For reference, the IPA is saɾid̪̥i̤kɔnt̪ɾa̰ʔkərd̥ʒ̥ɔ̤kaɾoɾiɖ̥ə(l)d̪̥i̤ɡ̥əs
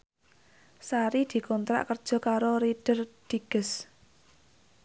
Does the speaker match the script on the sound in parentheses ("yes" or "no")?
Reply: no